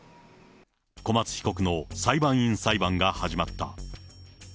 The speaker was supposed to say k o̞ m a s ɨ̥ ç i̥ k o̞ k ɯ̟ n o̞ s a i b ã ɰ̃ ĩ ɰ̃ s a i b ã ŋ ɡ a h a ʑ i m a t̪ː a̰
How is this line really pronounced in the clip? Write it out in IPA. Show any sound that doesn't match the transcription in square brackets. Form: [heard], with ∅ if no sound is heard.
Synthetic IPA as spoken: k o̞ m a [t͡s] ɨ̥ ç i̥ k o̞ k ɯ̟ n o̞ s a i b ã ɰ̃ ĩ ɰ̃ s a i b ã ŋ ɡ a h a ʑ i m a t̪ː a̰